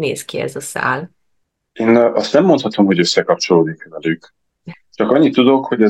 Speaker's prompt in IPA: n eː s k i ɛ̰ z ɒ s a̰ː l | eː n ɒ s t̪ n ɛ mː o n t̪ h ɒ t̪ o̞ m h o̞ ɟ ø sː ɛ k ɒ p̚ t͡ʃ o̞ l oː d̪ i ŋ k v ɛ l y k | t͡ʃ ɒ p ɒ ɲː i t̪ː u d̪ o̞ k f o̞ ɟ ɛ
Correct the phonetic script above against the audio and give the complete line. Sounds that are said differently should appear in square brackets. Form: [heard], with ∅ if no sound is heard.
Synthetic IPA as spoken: n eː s k i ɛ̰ z ɒ s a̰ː l | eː n ɒ s t̪ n ɛ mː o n t̪ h ɒ t̪ o̞ m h o̞ ɟ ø sː ɛ k ɒ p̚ t͡ʃ o̞ l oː d̪ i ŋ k v ɛ l y k | t͡ʃ ɒ [k] ɒ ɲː i t̪ː u d̪ o̞ k [h] o̞ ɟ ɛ